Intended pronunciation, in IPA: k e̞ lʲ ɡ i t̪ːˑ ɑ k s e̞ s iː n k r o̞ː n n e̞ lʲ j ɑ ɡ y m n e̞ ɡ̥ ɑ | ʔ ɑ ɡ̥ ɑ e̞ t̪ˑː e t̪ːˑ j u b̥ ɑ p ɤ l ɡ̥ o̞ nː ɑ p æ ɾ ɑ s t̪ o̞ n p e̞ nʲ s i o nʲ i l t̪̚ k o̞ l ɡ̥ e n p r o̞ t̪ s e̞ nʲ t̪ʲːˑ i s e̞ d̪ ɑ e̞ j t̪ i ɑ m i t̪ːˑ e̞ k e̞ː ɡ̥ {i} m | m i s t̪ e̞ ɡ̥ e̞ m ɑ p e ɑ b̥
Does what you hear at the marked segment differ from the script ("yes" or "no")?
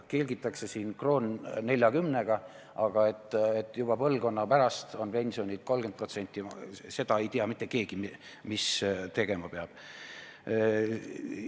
no